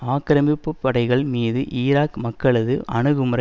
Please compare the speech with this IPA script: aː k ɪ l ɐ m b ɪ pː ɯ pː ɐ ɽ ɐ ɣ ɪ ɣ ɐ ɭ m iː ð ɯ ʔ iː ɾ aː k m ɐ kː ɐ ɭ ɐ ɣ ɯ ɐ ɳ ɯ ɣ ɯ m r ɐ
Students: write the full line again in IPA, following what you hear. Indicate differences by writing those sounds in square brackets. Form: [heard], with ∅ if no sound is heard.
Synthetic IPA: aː k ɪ [ɾ] ɐ m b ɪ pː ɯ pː ɐ ɽ ɐ [∅] ɪ ɣ ɐ ɭ m iː ð ɯ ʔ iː ɾ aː k m ɐ kː ɐ ɭ ɐ [ð] ɯ ɐ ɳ ɯ ɣ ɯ m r ɐ